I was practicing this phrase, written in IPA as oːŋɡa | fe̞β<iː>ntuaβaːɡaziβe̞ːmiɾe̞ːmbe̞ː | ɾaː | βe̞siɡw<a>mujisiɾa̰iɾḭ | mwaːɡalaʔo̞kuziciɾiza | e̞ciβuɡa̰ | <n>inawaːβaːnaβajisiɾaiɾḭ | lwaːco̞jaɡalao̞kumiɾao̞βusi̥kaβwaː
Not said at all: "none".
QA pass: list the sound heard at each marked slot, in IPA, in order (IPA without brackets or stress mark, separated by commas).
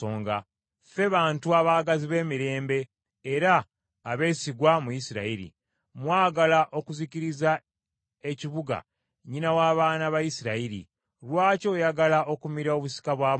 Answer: aː, a, ɲ